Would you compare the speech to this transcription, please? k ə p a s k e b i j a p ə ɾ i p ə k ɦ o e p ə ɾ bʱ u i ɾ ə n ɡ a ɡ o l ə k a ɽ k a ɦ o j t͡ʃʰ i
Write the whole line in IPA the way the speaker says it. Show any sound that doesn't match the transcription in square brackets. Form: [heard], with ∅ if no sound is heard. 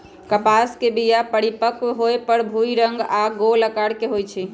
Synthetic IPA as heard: k ə p a s k e b i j a p ə [ɽ] i p ə k ɦ o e p ə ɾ bʱ u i ɾ ə [ŋ] ɡ a ɡ o l ə k a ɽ k [e] ɦ o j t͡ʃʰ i